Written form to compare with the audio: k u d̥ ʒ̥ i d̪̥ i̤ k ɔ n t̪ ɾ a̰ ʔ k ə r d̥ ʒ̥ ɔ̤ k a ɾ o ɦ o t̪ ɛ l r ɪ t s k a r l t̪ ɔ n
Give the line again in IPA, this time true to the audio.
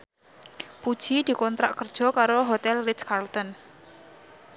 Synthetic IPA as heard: p u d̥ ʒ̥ i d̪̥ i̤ k ɔ n t̪ ɾ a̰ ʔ k ə r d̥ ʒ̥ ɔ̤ k a ɾ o ɦ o t̪ ɛ l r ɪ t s k a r l t̪ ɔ n

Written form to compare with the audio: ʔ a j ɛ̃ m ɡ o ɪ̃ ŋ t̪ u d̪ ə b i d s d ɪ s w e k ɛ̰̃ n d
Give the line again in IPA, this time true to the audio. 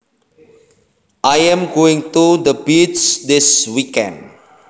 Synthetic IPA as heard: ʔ a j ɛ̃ m ɡ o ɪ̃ ŋ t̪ u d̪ ə b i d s d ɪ s w i k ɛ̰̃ n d

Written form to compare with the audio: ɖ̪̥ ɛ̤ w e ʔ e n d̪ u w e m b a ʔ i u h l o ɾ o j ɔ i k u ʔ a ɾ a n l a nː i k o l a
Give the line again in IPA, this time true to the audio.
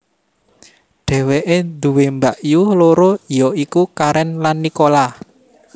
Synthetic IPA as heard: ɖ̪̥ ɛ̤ w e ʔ e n d̪ u w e m b a ʔ j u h l o ɾ o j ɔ i k u k a ɾ ɛ n l a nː i k o l a

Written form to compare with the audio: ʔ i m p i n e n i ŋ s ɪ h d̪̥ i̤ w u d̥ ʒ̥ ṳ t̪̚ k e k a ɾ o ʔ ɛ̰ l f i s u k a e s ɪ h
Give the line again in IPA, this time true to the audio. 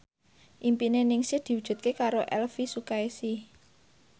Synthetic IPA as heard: ʔ i m p i n e n ɪ ŋ s ɪ h d̪̥ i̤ w u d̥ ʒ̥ ṳ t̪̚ k e k a ɾ o ʔ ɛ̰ l f i s u k a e s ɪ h

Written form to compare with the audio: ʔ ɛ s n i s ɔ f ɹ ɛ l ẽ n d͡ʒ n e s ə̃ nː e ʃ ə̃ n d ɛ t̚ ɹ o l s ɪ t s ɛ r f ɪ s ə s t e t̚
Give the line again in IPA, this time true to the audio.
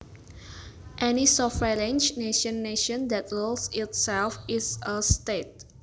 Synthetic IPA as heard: ʔ ɛ n i s ɔ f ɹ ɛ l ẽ n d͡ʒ n e ʃ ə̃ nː e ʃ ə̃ n d ɛ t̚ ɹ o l s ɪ t s ɛ l f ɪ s ə s t e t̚

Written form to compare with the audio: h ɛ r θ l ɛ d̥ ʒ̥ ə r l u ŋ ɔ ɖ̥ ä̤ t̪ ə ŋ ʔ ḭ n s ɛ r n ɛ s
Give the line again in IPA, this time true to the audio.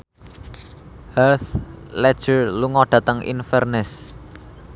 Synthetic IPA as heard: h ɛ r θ l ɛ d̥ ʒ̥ ə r l u ŋ ɔ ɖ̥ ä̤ t̪ ə ŋ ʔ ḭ n f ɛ r n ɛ s

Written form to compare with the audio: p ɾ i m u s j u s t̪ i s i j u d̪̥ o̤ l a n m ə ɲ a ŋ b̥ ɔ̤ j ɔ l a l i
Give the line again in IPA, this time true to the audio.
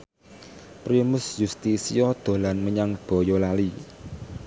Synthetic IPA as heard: p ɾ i m ʊ s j u s t̪ i s i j ɔ d̪̥ o̤ l a n m ə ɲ a ŋ b̥ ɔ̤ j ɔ l a l i

